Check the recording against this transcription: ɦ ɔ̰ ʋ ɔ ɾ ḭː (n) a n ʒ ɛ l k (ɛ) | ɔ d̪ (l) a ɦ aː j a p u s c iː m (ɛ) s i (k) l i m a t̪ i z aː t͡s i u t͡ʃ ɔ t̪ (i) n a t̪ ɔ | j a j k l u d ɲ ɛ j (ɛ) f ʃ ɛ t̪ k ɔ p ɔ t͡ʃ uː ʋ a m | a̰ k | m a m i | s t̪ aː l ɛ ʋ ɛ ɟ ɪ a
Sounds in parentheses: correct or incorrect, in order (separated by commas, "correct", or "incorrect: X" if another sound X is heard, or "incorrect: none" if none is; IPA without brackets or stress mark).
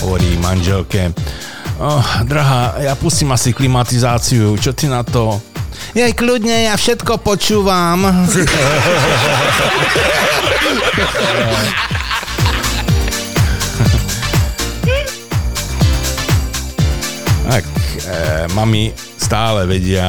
incorrect: m, correct, incorrect: ɾ, incorrect: a, correct, correct, incorrect: a